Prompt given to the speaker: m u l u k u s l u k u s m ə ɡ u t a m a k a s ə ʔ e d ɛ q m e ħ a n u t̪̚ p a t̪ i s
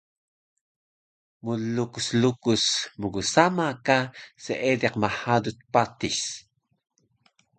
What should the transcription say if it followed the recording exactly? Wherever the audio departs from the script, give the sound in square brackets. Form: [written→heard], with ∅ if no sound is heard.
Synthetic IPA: m u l u k u s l u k u s m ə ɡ u [t→s] a m a k a s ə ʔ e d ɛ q m [e→a] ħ a [n→d] u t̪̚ p a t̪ i s